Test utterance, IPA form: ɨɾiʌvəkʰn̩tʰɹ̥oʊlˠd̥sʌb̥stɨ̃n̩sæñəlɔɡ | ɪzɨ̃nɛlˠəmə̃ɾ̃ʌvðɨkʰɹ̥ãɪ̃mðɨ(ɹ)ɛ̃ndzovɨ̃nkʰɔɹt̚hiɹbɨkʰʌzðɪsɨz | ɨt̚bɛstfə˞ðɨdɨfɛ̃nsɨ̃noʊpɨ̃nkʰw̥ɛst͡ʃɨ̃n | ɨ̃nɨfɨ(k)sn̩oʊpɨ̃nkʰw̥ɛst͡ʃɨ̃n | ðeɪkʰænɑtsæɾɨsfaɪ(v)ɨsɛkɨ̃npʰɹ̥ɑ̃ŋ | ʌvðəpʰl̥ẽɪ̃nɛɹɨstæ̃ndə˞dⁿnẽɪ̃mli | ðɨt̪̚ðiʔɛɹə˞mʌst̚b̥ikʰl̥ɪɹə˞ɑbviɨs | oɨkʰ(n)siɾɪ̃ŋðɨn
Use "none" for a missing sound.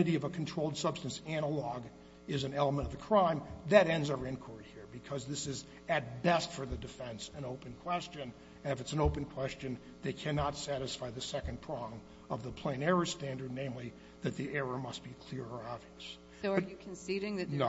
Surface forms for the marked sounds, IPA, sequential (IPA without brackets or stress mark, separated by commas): ɾ, t, ð, n